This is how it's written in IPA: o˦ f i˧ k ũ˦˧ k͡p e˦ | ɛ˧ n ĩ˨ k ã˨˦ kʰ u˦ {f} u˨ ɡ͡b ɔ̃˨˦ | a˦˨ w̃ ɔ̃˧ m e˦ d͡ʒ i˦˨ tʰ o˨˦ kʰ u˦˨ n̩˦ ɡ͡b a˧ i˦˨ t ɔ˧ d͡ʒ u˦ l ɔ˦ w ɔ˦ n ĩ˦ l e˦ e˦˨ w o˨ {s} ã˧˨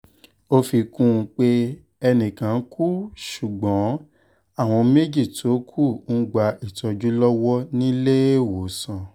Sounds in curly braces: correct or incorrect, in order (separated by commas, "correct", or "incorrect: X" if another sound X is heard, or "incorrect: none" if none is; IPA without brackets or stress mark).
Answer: incorrect: ʃ, correct